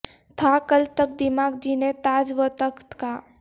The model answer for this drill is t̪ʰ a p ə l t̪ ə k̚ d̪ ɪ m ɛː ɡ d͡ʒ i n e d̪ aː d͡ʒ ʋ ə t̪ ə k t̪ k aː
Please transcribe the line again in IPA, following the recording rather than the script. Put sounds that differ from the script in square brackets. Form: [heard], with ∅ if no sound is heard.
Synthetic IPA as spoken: t̪ʰ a [k] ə l t̪ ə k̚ d̪ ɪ m [aː] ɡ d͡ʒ i n e [t̪] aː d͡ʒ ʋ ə t̪ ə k t̪ k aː